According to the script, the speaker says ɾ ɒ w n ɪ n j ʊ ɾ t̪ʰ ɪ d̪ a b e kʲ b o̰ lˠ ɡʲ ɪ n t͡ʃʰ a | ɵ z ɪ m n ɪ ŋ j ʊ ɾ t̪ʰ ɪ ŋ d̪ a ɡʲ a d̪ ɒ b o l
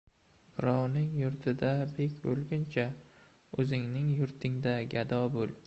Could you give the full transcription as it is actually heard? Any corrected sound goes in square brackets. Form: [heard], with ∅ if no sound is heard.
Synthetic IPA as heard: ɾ ɒ w n ɪ [ŋ] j ʊ ɾ t̪ʰ ɪ d̪ a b e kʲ b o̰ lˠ ɡʲ ɪ n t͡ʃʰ a | ɵ z ɪ [ŋ] n ɪ ŋ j ʊ ɾ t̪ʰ ɪ ŋ d̪ a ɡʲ a d̪ ɒ b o l

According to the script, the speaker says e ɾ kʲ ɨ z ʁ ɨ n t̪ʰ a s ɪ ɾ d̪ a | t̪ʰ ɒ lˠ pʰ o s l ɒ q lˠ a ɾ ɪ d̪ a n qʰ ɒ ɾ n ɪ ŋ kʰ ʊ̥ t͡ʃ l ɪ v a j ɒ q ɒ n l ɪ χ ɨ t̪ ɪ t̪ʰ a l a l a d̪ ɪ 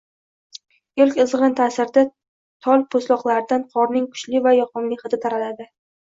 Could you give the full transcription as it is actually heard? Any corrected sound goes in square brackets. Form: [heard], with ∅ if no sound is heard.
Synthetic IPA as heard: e [l] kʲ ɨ z ʁ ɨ n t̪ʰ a s ɪ ɾ d̪ a | t̪ʰ ɒ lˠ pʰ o s l ɒ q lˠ a ɾ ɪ d̪ a n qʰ ɒ ɾ n ɪ ŋ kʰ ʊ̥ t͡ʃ l ɪ v a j ɒ q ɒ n l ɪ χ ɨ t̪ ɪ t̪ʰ a [ɾ] a l a d̪ ɪ

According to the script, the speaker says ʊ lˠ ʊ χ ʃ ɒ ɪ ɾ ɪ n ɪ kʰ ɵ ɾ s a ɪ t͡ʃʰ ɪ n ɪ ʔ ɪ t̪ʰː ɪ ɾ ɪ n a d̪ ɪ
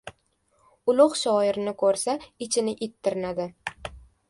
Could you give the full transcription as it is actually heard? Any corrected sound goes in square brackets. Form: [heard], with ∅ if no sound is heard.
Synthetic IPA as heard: ʊ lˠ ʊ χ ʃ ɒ ɪ ɾ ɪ n ɪ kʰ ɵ ɾ s a ɪ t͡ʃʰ ɪ n ɪ ʔ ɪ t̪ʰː ɪ ɾ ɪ n a d̪ ɪ

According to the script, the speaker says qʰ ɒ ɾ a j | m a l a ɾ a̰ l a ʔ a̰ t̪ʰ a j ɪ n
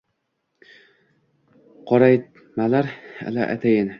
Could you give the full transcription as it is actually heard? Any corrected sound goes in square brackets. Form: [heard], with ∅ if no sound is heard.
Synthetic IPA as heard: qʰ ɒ ɾ a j | m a l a ɾ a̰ l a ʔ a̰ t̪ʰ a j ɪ n

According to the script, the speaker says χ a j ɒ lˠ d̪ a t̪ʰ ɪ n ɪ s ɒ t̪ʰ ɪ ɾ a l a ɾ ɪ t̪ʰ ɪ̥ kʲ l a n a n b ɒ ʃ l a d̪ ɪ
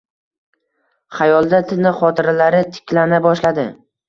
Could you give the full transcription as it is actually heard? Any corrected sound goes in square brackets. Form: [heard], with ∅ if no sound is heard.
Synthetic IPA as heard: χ a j ɒ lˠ d̪ a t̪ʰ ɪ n ɪ [χ] ɒ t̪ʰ ɪ ɾ a l a ɾ ɪ t̪ʰ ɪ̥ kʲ l a n a [∅] b ɒ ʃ l a d̪ ɪ

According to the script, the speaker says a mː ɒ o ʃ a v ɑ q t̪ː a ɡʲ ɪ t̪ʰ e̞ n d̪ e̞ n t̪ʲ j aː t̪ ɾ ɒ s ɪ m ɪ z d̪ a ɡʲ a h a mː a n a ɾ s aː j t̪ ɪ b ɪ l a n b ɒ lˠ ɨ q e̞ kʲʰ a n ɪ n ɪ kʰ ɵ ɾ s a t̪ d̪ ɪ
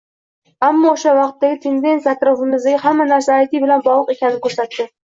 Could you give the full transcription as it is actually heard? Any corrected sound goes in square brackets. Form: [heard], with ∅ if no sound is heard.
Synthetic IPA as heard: a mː ɒ o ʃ a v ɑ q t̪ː a ɡʲ ɪ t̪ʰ e̞ n d̪ e̞ n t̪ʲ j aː t̪ ɾ ɒ [f] ɪ m ɪ z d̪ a ɡʲ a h a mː a n a ɾ s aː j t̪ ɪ b ɪ l a n b ɒ lˠ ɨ q e̞ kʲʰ a n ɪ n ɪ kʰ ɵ ɾ s a t̪ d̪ ɪ

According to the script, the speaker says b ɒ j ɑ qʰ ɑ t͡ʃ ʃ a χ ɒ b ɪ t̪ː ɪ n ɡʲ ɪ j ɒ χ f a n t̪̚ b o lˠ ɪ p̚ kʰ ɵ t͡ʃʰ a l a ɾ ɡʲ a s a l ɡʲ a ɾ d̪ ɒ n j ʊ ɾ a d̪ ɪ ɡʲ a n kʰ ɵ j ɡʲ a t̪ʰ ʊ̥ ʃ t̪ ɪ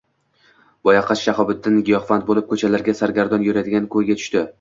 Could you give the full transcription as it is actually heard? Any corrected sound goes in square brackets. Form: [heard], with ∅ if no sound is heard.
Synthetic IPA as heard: b ɒ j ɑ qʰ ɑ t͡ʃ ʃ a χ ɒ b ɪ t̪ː ɪ n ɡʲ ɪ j ɒ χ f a n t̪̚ b o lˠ ɪ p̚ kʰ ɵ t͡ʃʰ a l a ɾ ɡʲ a s a [ɾ] ɡʲ a ɾ d̪ ɒ n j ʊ ɾ a d̪ ɪ ɡʲ a n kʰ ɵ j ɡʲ a t̪ʰ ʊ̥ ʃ t̪ ɪ

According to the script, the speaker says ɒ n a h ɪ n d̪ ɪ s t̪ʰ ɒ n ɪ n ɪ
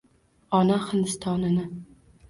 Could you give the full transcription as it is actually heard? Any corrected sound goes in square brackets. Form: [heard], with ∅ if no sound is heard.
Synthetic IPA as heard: ɒ n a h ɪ n d̪ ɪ s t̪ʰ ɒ n ɪ n ɪ

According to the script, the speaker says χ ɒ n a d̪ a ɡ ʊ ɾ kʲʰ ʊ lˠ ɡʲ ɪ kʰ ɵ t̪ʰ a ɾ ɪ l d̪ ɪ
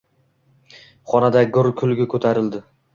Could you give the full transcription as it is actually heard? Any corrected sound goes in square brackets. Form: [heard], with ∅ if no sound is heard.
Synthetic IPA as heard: χ ɒ n a d̪ a ɡ ʊ ɾ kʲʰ ʊ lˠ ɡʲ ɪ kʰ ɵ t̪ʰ a ɾ ɪ l d̪ ɪ

